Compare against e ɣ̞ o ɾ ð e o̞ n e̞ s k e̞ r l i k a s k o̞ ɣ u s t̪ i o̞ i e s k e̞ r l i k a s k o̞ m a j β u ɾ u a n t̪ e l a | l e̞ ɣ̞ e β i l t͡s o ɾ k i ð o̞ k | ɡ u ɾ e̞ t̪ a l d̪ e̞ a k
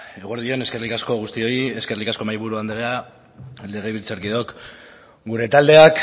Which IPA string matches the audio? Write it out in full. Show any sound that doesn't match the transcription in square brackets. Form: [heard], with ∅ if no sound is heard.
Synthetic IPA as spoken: e ɣ̞ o ɾ ð [i] o̞ n e̞ s k e̞ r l i k a s k o̞ ɣ u s t̪ i o̞ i e s k e̞ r l i k a s k o̞ m a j β u ɾ u a n [d̪] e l a | l e̞ ɣ̞ e β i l t͡s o ɾ k i ð o̞ k | ɡ u ɾ e̞ t̪ a l d̪ e̞ a k